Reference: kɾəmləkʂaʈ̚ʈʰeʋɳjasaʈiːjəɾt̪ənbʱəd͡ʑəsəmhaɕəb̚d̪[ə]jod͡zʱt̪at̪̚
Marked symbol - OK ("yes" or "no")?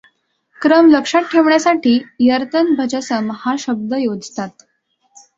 yes